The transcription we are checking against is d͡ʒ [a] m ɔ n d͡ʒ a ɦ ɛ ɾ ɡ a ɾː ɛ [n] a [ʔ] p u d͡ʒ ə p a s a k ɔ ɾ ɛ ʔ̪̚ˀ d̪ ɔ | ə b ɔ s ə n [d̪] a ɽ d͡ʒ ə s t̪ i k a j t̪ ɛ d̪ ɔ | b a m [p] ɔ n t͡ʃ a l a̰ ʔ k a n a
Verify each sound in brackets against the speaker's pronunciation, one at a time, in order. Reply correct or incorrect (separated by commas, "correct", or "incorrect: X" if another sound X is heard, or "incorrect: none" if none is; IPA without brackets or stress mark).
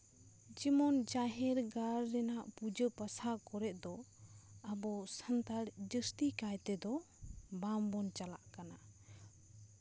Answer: incorrect: i, correct, correct, incorrect: t̪, incorrect: b